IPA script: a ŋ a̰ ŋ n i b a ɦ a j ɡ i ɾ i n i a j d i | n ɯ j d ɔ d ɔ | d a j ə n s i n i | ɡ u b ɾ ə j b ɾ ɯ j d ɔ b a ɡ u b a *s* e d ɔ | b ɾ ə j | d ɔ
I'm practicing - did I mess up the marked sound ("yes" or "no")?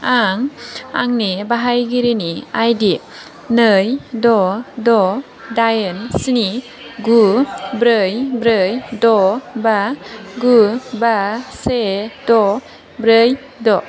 no